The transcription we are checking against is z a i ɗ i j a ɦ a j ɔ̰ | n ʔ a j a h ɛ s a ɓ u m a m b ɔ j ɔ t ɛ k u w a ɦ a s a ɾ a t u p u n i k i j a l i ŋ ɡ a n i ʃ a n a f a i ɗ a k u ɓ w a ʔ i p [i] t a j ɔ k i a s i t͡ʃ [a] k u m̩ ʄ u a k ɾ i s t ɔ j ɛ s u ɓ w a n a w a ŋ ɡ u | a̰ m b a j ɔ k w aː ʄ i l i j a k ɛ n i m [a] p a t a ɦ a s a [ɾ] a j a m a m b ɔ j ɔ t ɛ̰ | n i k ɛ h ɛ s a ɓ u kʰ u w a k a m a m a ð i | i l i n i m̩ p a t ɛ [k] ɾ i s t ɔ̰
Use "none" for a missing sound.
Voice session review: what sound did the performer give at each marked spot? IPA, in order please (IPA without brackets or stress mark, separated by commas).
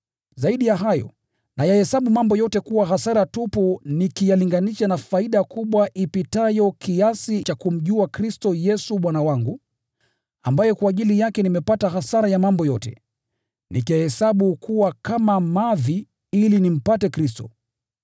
i, a, ɛ, ɾ, k